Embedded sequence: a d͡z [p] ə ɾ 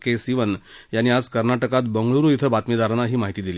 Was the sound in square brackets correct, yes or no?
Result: no